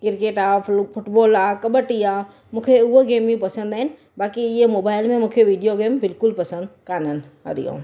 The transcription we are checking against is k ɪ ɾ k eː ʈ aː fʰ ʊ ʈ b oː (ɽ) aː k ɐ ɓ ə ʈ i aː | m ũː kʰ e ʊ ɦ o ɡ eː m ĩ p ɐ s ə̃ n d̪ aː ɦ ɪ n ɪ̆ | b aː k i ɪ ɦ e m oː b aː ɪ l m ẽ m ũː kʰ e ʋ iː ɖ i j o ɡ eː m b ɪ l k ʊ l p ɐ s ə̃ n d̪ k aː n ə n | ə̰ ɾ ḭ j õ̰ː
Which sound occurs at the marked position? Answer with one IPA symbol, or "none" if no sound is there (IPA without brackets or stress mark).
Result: l